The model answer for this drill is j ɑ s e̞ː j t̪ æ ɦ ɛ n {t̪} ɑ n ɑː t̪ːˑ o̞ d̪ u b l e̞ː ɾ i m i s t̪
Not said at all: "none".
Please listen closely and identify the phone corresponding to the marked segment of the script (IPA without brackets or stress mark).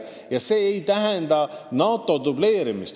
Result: d̪